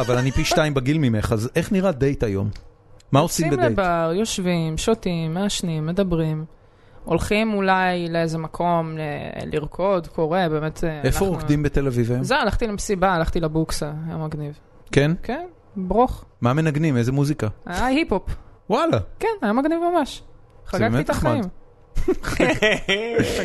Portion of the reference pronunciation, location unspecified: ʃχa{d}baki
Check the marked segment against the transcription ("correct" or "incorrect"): incorrect